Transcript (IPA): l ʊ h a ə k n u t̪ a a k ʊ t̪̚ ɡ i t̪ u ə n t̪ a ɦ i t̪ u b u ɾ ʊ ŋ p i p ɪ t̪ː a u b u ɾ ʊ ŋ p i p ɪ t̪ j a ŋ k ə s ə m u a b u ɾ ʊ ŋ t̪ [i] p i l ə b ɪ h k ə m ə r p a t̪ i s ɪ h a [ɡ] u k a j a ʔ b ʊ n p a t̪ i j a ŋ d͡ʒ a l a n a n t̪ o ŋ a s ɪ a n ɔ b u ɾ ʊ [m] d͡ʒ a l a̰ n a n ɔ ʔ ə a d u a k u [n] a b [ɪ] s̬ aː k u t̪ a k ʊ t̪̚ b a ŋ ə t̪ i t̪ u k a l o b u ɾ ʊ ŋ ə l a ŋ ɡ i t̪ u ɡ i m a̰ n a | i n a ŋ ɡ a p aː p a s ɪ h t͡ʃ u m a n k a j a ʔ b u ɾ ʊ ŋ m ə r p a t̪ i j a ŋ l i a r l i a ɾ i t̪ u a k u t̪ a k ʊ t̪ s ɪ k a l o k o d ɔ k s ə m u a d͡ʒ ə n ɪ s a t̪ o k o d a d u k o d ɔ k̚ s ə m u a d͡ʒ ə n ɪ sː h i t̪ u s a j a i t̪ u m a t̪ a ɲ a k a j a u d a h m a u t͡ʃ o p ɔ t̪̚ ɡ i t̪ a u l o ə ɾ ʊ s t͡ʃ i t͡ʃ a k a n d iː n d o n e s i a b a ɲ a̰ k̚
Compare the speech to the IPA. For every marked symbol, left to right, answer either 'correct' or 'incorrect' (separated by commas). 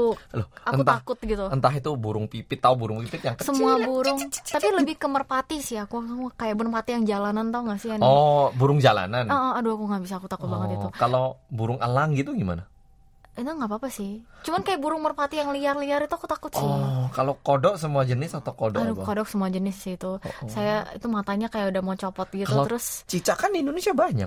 incorrect, incorrect, incorrect, incorrect, incorrect